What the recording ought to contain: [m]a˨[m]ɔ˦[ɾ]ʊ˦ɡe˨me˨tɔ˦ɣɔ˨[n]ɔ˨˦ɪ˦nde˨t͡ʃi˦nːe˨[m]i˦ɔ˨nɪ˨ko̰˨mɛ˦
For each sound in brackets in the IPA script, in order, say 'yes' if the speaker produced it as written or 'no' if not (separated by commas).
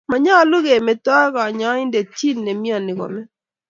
yes, no, no, no, yes